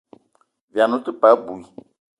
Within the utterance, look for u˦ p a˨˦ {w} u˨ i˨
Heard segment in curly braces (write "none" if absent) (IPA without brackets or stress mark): b